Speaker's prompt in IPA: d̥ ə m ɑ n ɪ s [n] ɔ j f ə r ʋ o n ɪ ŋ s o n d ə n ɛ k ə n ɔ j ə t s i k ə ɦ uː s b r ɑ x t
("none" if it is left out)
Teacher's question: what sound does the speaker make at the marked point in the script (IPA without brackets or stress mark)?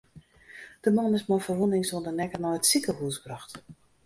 m